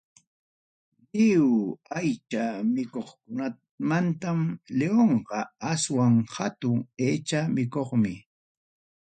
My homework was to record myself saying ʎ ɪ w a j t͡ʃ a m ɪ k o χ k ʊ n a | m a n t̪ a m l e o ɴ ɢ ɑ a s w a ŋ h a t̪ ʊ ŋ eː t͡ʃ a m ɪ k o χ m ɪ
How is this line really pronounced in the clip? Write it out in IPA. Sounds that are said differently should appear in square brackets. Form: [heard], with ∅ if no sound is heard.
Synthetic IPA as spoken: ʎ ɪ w a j t͡ʃ a m ɪ k o χ k ʊ n a | m a n t̪ a m l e o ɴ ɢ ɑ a s w a ŋ h a t̪ ʊ ŋ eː t͡ʃ a m ɪ k o χ m ɪ